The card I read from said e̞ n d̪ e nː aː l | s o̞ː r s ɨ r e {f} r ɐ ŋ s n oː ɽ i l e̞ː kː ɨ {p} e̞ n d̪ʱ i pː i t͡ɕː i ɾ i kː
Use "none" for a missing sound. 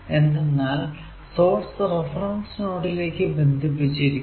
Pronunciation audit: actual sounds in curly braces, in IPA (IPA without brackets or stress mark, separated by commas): f, b